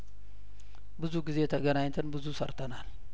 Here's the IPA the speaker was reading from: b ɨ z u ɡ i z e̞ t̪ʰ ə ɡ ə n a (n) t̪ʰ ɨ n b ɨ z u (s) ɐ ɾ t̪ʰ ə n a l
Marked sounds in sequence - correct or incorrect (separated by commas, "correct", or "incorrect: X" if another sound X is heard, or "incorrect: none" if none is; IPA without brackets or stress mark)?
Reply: incorrect: ɲ, correct